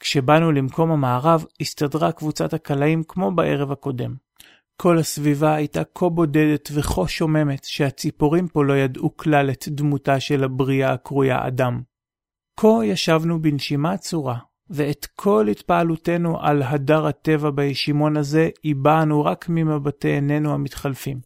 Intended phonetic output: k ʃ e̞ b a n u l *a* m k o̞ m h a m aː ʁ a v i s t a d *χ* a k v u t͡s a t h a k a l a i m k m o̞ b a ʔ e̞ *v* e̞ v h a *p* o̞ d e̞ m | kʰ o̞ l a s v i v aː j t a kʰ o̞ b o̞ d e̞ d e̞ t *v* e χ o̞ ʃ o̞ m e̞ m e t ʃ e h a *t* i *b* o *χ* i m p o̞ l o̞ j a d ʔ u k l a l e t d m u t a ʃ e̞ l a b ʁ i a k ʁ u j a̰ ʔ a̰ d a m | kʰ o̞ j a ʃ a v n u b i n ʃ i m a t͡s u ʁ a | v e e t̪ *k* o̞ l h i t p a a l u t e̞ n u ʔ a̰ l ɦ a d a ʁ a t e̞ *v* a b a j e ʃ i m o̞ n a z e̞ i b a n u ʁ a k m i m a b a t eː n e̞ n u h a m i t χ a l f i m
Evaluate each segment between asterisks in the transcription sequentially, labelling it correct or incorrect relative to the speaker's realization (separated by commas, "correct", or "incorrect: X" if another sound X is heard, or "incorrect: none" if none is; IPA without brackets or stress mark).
incorrect: i, incorrect: ʁ, incorrect: ʁ, incorrect: k, correct, incorrect: t͡s, incorrect: p, incorrect: ʁ, incorrect: kʰ, correct